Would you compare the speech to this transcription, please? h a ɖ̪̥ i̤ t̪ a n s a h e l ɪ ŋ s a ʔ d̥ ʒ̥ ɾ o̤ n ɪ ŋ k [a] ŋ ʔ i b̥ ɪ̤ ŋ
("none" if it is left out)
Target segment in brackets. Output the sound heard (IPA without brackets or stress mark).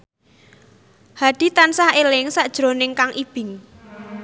a